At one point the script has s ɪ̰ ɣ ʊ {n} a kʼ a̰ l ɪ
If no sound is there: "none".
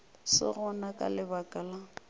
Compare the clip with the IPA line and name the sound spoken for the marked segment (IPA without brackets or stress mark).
n